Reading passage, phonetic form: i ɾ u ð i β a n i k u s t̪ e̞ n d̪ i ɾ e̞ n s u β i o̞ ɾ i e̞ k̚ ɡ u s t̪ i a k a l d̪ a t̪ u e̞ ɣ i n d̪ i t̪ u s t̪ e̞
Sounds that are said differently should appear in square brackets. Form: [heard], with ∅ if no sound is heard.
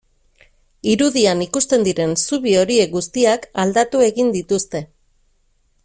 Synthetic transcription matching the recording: i ɾ u ð i [∅] a n i k u s t̪ e̞ n d̪ i ɾ e̞ n s u β i o̞ ɾ i e̞ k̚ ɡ u s t̪ i a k a l d̪ a t̪ u e̞ ɣ i n d̪ i t̪ u s t̪ e̞